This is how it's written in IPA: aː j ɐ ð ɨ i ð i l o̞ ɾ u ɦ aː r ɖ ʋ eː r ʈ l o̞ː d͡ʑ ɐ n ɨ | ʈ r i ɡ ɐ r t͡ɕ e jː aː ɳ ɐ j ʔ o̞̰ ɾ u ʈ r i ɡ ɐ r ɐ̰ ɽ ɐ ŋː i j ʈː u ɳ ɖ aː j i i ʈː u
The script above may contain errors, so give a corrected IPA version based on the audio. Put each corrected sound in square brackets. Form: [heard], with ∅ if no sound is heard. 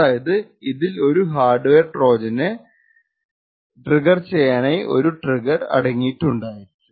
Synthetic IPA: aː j ɐ ð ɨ i ð i l o̞ ɾ u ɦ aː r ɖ ʋ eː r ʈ [r] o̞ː d͡ʑ ɐ n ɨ | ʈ r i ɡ ɐ r t͡ɕ e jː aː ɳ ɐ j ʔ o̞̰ ɾ u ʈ r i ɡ ɐ r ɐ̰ ɽ ɐ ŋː i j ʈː u ɳ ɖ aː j i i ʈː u